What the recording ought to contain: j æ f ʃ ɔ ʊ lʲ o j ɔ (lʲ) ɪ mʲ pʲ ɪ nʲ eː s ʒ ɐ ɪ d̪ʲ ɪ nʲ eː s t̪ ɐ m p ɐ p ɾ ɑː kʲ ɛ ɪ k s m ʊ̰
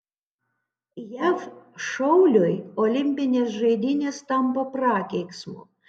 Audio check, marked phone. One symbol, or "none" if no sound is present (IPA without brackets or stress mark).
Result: lʲ